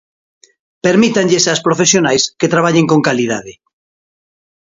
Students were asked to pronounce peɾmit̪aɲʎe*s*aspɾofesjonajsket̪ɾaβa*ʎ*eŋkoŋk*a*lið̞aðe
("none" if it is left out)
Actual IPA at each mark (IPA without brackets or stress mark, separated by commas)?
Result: s, ʎ, a